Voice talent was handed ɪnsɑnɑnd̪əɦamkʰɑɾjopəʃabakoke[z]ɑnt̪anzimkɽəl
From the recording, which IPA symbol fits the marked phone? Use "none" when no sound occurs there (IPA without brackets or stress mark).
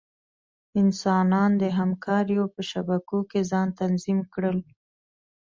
z